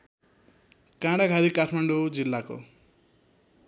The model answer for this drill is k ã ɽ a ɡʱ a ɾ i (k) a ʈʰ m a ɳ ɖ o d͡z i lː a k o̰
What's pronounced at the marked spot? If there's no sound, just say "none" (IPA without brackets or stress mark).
k